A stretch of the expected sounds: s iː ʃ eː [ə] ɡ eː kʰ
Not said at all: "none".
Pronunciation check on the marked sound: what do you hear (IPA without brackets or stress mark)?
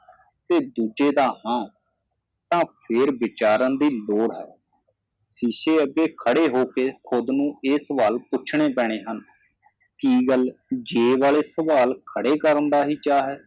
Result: ə